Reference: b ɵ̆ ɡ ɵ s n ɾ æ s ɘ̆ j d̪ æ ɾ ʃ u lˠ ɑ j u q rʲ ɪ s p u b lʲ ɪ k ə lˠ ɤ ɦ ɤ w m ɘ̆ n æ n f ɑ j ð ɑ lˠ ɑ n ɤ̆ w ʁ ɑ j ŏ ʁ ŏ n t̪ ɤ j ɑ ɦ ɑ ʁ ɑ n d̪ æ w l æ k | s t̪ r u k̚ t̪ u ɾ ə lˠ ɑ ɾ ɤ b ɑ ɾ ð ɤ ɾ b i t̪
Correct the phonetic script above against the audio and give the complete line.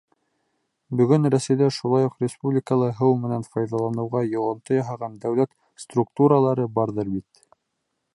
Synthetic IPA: b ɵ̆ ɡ ɵ n ɾ æ s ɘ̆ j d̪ æ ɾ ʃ u lˠ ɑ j u q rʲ ɪ s p u b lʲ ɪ k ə lˠ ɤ ɦ ɤ w m ɘ̆ n æ n f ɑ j ð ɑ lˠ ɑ n ɤ̆ w ʁ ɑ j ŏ ʁ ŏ n t̪ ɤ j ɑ ɦ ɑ ʁ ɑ n d̪ æ w l æ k | s t̪ r u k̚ t̪ u ɾ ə lˠ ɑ ɾ ɤ b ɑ ɾ ð ɤ ɾ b i t̪